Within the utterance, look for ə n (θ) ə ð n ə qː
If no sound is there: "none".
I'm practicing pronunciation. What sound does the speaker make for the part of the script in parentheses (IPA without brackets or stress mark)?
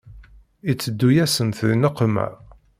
θ